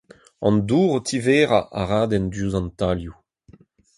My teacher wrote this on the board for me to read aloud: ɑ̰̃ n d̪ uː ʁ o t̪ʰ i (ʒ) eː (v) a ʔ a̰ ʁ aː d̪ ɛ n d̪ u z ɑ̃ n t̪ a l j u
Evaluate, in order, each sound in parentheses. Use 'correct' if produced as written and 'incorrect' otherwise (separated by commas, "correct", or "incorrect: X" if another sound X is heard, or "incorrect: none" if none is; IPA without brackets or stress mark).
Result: incorrect: v, incorrect: ʁ